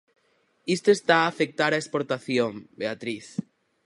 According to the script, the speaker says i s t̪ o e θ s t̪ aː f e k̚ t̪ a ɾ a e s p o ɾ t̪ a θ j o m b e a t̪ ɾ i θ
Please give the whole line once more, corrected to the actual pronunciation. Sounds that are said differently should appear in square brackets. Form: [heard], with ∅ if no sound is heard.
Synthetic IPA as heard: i s t̪ o e [∅] s t̪ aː f e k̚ t̪ a ɾ a e s p o ɾ t̪ a θ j o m b e a t̪ ɾ i θ